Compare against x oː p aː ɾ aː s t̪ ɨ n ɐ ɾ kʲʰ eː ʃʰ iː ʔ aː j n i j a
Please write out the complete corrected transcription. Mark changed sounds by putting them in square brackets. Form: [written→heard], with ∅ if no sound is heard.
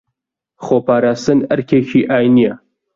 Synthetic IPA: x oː p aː ɾ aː s t̪ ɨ n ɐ ɾ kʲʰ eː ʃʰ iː ʔ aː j n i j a

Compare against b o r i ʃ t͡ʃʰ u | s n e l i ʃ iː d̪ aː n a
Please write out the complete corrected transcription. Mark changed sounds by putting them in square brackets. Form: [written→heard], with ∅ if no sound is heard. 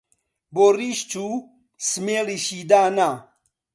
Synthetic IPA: b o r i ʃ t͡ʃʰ u | s [n→m] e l i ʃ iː d̪ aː n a

